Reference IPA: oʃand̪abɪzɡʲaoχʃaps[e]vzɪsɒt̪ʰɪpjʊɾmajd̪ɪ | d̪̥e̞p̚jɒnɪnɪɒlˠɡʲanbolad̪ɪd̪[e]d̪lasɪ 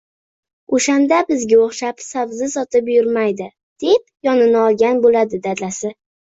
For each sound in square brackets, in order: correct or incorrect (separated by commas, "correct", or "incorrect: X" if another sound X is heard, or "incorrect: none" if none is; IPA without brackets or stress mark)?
incorrect: a, incorrect: a